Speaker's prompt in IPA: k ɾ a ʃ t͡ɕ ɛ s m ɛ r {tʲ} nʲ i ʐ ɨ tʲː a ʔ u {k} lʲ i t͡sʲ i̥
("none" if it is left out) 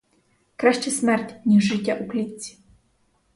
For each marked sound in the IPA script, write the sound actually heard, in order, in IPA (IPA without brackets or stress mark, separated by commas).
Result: tʲ, k